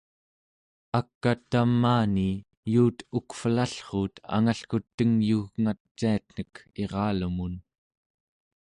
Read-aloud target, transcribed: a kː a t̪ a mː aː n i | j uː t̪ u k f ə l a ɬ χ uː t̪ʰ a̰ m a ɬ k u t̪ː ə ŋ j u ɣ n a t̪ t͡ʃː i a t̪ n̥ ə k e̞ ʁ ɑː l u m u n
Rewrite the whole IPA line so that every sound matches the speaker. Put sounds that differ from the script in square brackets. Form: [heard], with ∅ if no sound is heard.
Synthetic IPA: a kː a t̪ a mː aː n i | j uː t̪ u k f ə l a ɬ χ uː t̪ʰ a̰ [ŋ] a ɬ k u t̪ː ə ŋ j u ɣ [ŋ] a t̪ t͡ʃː i a t̪ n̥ ə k e̞ ʁ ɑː l u m u n